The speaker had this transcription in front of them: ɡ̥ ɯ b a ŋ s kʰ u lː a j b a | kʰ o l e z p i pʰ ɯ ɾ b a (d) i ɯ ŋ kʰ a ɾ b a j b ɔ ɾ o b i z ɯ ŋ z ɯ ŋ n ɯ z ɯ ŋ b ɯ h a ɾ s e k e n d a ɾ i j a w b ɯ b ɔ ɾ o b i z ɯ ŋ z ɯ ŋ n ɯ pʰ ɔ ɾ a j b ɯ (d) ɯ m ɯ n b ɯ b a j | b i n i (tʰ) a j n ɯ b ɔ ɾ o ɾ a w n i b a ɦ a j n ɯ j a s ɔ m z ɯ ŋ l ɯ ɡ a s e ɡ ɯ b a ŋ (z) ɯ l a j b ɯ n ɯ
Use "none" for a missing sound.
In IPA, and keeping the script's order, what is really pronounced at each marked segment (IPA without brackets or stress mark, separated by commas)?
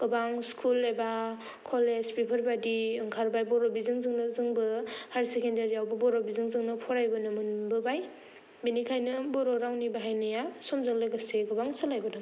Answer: d, n, kʰ, s